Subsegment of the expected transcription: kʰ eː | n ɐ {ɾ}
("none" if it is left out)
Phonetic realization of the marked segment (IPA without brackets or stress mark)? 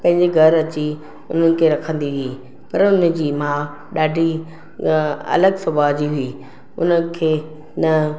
none